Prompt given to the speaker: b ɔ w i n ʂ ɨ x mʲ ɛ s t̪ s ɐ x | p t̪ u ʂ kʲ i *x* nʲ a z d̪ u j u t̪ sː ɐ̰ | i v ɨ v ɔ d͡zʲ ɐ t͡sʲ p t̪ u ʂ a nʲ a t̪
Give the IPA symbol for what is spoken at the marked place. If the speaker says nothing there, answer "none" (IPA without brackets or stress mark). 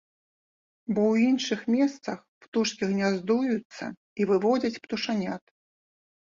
ɣ